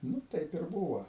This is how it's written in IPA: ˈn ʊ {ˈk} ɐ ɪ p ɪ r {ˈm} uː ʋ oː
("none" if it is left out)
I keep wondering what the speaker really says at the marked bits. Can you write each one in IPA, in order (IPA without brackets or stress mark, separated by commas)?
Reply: t, b